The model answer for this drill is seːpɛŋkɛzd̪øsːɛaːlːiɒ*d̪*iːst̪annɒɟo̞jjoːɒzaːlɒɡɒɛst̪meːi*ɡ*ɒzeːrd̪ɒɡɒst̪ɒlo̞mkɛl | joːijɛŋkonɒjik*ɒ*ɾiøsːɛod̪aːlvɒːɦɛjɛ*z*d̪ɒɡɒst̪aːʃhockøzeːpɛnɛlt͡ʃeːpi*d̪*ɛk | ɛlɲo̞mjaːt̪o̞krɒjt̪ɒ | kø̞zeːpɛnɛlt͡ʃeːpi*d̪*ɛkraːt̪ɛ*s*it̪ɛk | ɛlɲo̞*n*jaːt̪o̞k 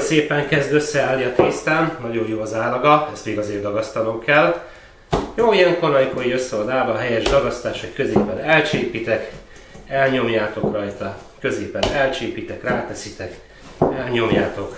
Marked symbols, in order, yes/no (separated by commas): no, yes, no, no, no, no, yes, no